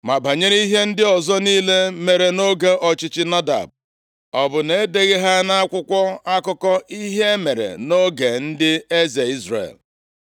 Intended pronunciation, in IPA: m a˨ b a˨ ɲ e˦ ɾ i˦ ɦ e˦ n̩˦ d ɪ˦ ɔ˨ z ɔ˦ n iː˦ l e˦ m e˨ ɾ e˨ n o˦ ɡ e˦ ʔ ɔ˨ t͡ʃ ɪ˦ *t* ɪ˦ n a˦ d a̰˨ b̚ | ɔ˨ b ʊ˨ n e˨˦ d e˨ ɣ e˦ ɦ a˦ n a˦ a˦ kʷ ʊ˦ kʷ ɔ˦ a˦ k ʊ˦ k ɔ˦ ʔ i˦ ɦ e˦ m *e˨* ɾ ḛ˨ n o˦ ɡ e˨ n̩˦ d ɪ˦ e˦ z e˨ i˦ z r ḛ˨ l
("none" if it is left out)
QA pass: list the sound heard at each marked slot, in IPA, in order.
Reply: t͡ʃ, e˨

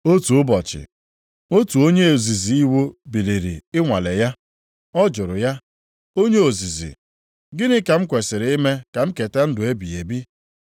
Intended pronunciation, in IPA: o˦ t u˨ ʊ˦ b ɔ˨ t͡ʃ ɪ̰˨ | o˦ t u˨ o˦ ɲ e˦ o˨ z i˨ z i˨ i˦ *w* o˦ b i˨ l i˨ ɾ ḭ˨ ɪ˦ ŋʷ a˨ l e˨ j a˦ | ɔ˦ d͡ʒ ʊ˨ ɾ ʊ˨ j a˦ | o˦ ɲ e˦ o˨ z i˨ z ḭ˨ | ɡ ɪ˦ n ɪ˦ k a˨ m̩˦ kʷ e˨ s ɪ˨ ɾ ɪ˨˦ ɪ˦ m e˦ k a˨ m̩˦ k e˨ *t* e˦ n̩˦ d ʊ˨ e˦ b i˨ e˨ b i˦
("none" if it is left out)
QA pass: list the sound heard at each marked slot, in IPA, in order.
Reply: w, t

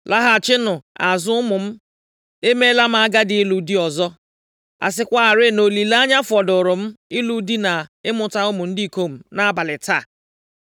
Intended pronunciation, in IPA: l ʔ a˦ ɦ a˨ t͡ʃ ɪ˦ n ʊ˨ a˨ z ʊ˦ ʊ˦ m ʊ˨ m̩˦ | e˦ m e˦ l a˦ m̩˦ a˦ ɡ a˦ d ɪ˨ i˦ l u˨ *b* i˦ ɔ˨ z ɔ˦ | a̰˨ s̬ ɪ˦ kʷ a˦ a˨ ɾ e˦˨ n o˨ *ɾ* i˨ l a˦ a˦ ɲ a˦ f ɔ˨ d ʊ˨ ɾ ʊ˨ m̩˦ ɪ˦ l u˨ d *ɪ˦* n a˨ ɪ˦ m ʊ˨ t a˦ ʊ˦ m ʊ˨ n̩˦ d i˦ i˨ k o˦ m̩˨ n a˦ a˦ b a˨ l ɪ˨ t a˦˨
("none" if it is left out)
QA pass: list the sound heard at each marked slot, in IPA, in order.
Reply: d, l, i˦

